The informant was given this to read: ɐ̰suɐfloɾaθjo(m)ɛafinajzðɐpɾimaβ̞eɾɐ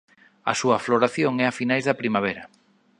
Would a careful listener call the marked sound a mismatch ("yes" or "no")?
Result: yes